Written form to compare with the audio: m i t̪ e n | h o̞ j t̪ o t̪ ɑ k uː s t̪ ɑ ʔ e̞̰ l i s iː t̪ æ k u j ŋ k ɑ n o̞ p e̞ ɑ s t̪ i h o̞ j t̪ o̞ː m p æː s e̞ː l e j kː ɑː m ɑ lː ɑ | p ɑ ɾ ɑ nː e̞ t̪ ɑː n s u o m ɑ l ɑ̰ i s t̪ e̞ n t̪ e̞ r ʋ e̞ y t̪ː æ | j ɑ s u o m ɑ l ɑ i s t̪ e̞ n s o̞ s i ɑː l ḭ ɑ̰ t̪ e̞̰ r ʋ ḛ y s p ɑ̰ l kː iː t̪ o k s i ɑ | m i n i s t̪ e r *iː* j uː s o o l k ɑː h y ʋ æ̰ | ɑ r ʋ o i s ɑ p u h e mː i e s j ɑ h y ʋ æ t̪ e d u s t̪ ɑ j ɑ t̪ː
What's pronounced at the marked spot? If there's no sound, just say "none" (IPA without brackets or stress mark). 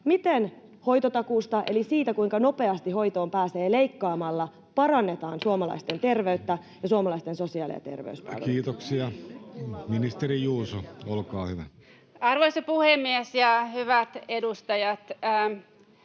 i